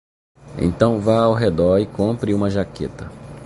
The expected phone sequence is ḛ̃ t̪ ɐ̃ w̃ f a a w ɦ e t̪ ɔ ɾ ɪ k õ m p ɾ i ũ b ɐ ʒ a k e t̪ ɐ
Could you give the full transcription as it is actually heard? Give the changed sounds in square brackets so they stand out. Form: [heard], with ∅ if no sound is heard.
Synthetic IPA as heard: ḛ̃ t̪ ɐ̃ w̃ [v] a a w ɦ e [d̪] ɔ ɾ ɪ k õ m p ɾ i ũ [m] ɐ ʒ a k e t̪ ɐ